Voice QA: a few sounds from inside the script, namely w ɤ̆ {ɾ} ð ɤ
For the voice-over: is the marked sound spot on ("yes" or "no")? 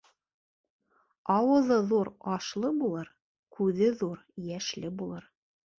no